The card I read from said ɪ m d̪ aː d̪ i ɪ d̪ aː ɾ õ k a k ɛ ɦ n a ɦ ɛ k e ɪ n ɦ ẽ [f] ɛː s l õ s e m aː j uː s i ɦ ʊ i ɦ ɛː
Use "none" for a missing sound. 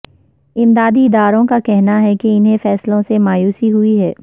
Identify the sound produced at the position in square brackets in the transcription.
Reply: f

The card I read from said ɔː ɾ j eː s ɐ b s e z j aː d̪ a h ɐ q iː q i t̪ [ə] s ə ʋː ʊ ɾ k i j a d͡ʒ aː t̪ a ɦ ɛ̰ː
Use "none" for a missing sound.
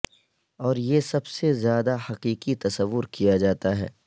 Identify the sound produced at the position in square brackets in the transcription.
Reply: ɐ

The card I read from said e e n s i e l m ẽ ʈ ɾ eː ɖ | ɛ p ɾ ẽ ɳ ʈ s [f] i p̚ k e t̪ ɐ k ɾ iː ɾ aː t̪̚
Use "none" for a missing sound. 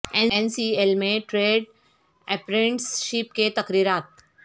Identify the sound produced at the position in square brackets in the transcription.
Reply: ʃ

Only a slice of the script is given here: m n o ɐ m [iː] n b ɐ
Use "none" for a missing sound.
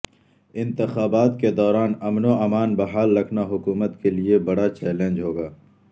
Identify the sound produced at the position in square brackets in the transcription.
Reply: aː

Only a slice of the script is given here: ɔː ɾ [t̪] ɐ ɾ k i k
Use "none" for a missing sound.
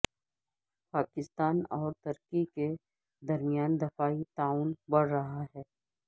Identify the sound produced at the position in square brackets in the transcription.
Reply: t̪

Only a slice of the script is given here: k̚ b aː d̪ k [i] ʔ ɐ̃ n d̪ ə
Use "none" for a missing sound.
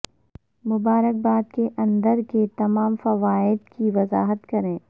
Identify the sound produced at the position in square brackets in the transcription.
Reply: e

